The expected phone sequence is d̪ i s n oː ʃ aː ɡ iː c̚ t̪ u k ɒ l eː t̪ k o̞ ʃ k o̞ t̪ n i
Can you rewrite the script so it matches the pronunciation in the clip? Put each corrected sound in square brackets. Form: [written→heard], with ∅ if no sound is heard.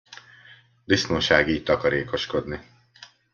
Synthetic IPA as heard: d̪ i s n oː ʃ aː ɡ iː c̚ t̪ [u→ɒ] k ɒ [l→ɾ] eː [t̪→∅] k o̞ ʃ k o̞ [t̪→d̪] n i

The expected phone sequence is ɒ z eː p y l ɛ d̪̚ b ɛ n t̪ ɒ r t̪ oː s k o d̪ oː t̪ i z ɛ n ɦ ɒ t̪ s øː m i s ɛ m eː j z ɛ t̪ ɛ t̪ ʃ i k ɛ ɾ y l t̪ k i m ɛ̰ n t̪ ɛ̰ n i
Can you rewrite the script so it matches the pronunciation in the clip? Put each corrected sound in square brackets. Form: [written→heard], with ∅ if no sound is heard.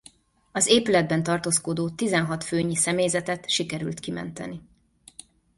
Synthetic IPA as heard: ɒ z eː p y l ɛ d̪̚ b ɛ n t̪ ɒ r t̪ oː s k o d̪ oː t̪ i z ɛ n ɦ ɒ t̪ [s→f] øː [m→ɲ] i s ɛ m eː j z ɛ t̪ ɛ t̪ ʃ i k ɛ ɾ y l t̪ k i m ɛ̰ n t̪ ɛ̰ n i

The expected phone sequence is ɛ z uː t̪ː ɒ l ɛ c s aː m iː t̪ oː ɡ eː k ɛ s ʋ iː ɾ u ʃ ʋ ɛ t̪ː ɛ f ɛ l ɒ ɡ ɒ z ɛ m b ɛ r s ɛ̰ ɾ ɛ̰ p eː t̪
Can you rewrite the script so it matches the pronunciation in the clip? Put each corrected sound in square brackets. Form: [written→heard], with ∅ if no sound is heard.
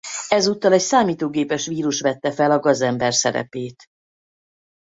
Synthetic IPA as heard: ɛ z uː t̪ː ɒ l ɛ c s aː m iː t̪ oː ɡ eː [k→p] ɛ [s→ʃ] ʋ iː ɾ u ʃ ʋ ɛ t̪ː ɛ f ɛ l ɒ ɡ ɒ z ɛ m b ɛ r s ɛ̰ ɾ ɛ̰ p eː t̪

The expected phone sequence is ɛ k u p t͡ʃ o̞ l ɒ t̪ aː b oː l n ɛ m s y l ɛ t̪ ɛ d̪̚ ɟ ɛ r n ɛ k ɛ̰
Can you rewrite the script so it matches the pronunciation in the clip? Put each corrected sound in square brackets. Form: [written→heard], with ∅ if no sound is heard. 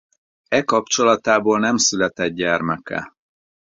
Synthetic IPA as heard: ɛ k [u→ɒ] p t͡ʃ o̞ l ɒ t̪ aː b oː l n ɛ m s y l ɛ t̪ ɛ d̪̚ ɟ ɛ r [n→m] ɛ k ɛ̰

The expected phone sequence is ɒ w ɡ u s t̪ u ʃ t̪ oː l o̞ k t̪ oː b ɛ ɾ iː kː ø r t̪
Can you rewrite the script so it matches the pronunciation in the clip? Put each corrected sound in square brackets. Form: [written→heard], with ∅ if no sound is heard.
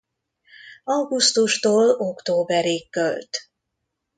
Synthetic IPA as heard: ɒ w ɡ u s t̪ u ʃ t̪ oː l o̞ k t̪ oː b ɛ ɾ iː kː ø [r→l] t̪

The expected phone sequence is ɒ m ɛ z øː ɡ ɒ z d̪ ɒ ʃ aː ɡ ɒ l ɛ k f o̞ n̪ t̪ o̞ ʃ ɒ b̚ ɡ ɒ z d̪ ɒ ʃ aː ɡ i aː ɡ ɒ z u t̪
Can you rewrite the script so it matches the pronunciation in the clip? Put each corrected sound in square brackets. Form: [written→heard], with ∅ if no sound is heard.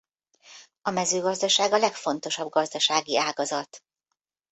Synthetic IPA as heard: ɒ m ɛ z øː ɡ ɒ z d̪ ɒ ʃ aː ɡ ɒ l ɛ k f o̞ n̪ t̪ o̞ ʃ ɒ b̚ ɡ ɒ z d̪ ɒ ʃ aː ɡ i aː ɡ ɒ z [u→ɒ] t̪

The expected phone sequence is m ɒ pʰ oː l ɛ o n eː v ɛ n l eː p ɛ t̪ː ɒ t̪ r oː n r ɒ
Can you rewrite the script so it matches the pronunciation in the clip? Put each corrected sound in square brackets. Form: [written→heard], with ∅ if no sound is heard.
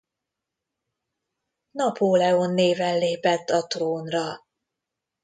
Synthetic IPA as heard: [m→n] ɒ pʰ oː l ɛ o [n→nː] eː v ɛ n l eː p ɛ t̪ː ɒ t̪ r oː n r ɒ

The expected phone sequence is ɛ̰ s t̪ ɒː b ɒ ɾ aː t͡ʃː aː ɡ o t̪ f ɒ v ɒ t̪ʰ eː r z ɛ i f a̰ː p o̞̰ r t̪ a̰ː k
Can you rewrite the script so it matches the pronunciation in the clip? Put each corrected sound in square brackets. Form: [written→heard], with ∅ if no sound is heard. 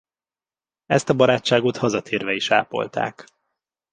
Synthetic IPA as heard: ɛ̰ s t̪ [ɒː→ɒ] b ɒ ɾ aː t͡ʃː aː ɡ o t̪ [f→h] ɒ [v→z] ɒ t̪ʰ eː r [z→v] ɛ i [f→ʃ] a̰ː p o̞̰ [r→l] t̪ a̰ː k

